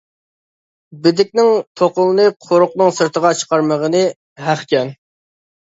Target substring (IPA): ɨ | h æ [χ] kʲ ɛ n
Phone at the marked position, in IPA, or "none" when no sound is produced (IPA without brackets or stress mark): χ